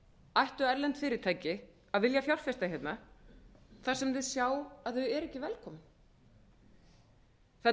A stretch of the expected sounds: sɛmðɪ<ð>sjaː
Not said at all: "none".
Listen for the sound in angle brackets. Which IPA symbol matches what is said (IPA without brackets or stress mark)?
ð